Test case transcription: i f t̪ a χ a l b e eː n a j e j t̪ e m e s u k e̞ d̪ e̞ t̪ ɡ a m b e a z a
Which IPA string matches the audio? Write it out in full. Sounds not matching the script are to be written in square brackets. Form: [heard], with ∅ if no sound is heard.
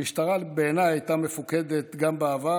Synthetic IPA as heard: i [ʃ] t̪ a [ʁ] a l b e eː n a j [a] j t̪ [a] m e [f] u k e̞ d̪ e̞ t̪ ɡ a m b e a [v] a